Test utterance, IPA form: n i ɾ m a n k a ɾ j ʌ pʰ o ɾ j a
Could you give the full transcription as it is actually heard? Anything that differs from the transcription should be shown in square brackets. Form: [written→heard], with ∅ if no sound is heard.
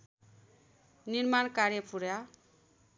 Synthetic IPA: n i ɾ m a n k a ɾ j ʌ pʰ [o→u] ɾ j a